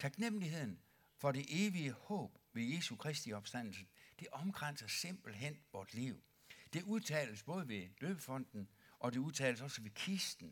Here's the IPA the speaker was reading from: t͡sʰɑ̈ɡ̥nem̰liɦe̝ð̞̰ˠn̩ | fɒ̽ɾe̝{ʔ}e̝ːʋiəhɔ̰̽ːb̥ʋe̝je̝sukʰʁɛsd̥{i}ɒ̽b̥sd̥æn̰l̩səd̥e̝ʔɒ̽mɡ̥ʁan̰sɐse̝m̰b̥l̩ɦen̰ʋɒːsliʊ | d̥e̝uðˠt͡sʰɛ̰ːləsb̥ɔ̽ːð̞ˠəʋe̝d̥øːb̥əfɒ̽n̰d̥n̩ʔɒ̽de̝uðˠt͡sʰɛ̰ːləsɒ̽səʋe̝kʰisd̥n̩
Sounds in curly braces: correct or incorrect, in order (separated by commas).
correct, correct